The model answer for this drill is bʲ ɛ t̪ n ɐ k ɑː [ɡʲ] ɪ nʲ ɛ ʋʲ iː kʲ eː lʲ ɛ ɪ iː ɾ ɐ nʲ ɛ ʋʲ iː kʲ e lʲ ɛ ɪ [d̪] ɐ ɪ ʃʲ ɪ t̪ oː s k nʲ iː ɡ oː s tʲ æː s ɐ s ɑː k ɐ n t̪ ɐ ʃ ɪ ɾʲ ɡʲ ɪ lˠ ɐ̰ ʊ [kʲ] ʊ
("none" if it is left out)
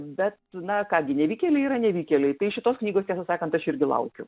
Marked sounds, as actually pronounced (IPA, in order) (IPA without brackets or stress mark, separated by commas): ɡʲ, t̪, kʲ